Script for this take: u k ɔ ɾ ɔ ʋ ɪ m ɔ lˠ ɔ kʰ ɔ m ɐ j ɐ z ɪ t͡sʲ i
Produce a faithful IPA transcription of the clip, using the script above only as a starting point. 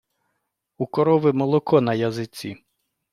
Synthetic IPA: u k ɔ ɾ ɔ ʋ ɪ m ɔ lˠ ɔ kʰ ɔ n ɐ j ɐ z ɪ t͡sʲ i